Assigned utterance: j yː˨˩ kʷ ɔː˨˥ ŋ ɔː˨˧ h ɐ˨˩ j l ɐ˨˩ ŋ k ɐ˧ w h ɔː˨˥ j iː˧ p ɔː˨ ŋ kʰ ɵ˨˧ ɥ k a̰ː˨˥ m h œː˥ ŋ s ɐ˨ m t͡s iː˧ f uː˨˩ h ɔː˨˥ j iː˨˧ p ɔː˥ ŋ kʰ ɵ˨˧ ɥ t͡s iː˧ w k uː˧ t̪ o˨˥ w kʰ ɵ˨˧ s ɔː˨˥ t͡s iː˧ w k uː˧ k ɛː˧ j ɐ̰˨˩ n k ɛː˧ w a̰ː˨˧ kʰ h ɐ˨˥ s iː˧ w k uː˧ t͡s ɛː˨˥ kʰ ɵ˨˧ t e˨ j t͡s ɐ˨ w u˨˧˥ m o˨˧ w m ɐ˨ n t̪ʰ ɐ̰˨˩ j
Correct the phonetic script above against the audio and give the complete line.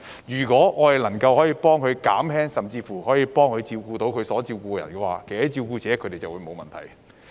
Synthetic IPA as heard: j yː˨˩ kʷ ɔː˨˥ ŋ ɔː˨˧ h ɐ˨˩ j l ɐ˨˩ ŋ k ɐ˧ w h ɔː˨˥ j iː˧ p ɔː˥ ŋ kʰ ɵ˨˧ ɥ k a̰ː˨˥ m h ɛː˥ ŋ s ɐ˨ m t͡s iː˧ f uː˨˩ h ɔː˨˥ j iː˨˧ p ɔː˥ ŋ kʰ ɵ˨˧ ɥ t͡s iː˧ w k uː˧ t̪ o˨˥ w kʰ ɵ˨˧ s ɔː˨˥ t͡s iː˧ w k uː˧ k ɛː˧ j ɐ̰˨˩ n k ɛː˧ w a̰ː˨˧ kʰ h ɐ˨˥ t͡s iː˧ w k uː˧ t͡s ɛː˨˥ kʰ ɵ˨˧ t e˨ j t͡s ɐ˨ w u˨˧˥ m o˨˧ w m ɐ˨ n t̪ʰ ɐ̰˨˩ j